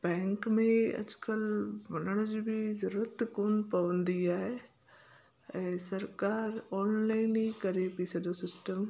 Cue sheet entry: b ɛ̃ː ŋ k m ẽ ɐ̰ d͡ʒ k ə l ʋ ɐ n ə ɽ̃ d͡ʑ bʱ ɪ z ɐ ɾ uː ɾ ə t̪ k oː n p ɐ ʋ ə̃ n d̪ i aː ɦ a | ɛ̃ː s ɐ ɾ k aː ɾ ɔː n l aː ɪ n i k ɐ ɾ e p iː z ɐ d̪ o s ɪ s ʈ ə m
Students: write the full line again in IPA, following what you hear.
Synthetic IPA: b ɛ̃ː ŋ k m ẽ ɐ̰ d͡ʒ k ə l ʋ ɐ n ə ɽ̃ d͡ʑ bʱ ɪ z ɐ ɾ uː ɾ ə t̪ k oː n p ɐ ʋ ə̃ n d̪ i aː ɦ e | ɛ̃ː s ɐ ɾ k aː ɾ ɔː n l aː ɪ n i k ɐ ɾ e p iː s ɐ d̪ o s ɪ s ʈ ə m